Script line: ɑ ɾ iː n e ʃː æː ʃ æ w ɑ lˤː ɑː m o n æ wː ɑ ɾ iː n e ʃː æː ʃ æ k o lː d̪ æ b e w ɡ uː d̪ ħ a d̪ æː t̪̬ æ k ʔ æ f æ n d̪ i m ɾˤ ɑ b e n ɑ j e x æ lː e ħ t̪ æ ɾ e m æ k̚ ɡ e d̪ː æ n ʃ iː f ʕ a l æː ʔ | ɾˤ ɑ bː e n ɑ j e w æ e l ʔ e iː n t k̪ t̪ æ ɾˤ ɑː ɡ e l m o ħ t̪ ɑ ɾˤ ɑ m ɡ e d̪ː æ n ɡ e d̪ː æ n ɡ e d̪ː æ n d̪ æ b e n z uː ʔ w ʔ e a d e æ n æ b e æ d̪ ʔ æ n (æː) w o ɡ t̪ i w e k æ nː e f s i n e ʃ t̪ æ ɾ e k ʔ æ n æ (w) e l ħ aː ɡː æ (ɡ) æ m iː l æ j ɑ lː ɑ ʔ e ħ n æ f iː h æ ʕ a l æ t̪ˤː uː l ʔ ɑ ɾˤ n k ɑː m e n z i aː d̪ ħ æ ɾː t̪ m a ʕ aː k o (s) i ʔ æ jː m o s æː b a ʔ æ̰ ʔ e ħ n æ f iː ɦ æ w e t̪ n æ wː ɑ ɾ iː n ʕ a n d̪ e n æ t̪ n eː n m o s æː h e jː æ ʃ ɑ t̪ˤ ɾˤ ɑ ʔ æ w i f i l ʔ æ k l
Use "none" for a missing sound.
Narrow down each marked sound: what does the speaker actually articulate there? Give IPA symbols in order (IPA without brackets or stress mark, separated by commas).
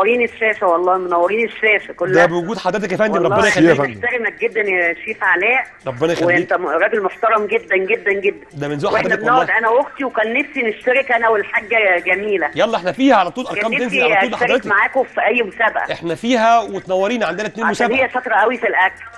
æ, w, ɡ, f